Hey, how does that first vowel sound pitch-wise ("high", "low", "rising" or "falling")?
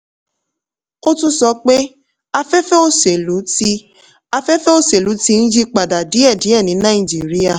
high